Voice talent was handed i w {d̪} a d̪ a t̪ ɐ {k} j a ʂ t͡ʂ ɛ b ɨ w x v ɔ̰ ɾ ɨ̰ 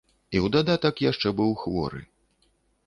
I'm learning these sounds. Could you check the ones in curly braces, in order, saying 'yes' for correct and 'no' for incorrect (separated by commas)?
yes, yes